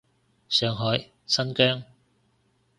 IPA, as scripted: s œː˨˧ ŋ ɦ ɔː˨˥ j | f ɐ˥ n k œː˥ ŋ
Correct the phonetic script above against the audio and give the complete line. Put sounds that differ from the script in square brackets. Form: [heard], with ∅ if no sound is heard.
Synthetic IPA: s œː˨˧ ŋ ɦ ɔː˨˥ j | [s] ɐ˥ n k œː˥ ŋ